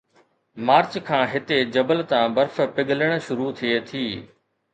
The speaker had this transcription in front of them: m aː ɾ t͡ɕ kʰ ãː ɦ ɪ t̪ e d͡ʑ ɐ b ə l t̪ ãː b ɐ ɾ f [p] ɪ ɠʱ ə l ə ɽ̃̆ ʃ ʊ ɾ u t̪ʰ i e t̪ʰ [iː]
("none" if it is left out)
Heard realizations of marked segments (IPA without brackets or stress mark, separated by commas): p, iː